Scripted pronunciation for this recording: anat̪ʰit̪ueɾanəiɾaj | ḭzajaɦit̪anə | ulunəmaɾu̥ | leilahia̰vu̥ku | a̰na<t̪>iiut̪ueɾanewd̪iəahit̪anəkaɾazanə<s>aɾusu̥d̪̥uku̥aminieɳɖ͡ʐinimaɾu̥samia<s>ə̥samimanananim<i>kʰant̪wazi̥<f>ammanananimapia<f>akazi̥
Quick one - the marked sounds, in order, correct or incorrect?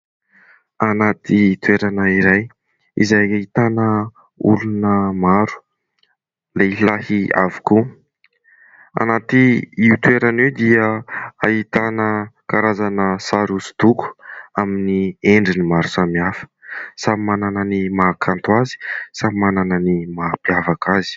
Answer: correct, correct, incorrect: f, incorrect: a, incorrect: s, incorrect: v

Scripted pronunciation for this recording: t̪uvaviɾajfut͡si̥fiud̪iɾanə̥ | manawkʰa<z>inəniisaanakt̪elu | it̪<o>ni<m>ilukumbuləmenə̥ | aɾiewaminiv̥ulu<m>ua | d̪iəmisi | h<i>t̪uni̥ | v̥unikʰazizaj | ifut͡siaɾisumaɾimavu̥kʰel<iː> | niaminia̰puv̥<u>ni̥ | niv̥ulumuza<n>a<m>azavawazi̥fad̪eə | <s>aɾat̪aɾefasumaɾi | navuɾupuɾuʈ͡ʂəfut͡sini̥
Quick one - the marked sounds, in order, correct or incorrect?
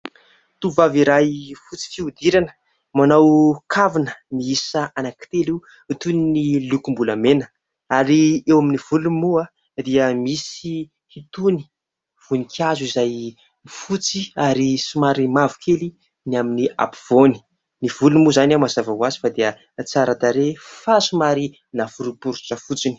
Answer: incorrect: v, incorrect: u, incorrect: n, correct, correct, incorrect: i, incorrect: o, correct, correct, incorrect: t͡s

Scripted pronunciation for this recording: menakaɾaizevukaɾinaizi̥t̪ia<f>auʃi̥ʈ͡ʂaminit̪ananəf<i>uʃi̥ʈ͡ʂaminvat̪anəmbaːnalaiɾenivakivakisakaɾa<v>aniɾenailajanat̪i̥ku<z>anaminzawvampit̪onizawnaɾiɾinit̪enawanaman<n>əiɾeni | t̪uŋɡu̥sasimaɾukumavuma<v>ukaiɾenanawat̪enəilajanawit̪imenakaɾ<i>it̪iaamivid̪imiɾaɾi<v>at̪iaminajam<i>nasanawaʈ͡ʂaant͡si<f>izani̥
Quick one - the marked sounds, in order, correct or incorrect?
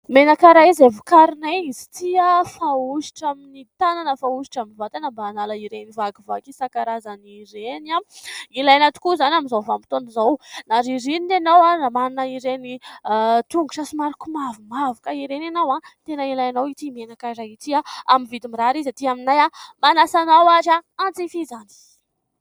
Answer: correct, incorrect: a, incorrect: z, correct, correct, correct, incorrect: a, incorrect: z, incorrect: a, correct

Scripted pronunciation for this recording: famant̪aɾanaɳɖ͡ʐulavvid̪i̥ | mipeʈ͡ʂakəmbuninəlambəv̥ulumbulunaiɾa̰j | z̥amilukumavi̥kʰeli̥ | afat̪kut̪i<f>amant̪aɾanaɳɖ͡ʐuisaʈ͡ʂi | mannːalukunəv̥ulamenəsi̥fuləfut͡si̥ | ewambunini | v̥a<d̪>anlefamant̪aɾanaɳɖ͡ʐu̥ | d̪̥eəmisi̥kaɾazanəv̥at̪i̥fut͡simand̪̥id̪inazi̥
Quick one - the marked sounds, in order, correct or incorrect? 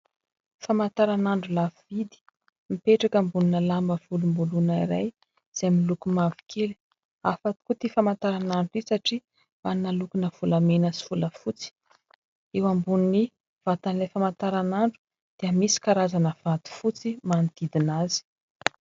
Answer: correct, incorrect: t̪

